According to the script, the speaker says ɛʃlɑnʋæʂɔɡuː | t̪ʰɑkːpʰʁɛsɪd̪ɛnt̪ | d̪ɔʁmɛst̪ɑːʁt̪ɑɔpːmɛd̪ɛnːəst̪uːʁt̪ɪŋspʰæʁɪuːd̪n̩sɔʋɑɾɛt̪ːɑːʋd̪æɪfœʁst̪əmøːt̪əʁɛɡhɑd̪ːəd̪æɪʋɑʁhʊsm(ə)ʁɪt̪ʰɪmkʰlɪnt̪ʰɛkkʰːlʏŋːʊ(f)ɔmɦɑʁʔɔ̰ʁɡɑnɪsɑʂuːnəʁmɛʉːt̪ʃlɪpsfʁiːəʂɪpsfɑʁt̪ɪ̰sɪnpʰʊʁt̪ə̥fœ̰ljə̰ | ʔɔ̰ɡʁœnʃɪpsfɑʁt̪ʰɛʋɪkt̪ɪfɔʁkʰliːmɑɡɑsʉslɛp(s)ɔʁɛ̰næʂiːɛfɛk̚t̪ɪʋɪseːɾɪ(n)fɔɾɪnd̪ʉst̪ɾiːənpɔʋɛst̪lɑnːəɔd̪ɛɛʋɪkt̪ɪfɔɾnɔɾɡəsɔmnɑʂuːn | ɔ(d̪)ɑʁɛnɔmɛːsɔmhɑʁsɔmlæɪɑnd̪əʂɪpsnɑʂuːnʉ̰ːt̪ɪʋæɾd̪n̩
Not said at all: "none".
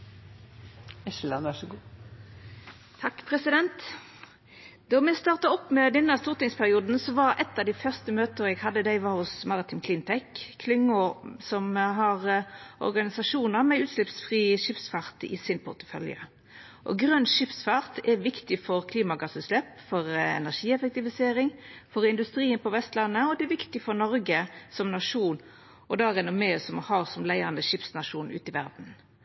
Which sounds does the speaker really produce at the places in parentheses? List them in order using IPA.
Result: ɑ, s, f, ŋ, d̪

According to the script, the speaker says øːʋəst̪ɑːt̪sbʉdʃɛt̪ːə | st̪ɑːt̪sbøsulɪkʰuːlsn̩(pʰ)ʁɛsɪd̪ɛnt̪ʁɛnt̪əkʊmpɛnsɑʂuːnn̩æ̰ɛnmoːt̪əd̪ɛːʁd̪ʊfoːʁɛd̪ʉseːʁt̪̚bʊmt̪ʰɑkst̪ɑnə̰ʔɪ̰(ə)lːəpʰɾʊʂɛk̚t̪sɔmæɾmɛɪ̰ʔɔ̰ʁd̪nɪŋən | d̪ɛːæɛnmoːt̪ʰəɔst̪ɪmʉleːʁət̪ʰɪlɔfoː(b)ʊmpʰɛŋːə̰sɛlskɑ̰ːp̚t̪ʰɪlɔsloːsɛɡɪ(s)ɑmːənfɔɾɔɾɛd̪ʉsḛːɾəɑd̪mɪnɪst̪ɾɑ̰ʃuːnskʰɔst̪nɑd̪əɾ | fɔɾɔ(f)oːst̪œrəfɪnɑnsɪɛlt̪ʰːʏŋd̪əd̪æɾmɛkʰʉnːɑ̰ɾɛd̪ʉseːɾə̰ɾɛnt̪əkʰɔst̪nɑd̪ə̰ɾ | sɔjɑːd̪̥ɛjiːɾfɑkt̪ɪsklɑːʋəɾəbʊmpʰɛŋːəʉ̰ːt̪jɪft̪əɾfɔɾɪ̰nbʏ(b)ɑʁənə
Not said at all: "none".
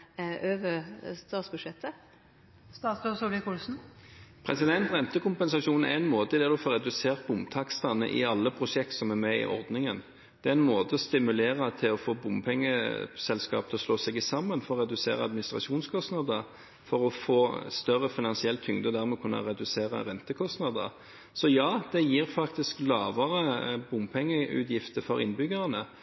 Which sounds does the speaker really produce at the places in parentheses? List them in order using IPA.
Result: pʰ, ɑ, b, s, f, ɡ

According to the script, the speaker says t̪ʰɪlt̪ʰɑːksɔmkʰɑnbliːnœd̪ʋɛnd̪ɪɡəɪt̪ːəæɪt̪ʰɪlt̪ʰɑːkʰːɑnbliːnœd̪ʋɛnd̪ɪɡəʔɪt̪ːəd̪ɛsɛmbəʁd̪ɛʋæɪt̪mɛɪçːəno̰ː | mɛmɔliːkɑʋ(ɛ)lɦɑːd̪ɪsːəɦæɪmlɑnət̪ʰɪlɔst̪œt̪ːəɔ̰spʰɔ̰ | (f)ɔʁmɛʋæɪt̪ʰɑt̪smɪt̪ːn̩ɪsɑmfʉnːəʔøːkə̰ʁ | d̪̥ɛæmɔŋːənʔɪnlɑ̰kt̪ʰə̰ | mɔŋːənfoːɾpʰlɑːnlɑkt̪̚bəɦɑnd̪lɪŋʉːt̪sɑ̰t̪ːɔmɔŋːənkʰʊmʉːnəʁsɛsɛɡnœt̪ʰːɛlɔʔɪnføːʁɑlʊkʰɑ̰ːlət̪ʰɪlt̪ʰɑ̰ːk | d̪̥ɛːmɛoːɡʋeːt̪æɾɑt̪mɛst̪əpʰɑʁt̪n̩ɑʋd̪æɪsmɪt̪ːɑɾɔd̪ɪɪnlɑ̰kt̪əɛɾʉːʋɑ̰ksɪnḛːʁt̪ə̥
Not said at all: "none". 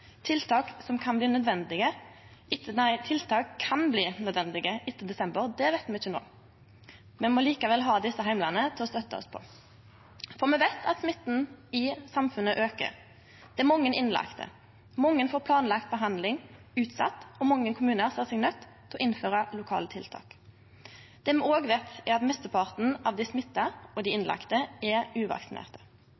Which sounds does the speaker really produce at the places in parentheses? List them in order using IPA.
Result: ɛ, f

